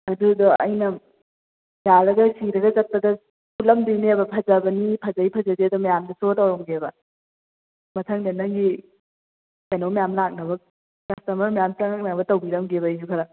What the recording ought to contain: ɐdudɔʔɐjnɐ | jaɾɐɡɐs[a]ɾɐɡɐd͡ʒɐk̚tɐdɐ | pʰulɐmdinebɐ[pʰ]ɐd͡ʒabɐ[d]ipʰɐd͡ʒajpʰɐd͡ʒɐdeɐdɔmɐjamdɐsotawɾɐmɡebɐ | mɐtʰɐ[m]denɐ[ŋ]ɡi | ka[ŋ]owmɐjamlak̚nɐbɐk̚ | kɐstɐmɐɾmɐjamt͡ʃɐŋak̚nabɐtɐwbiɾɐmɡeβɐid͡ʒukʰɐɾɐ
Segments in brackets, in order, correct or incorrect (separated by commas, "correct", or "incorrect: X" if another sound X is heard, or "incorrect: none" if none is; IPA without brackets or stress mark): incorrect: i, correct, incorrect: n, incorrect: ŋ, correct, incorrect: n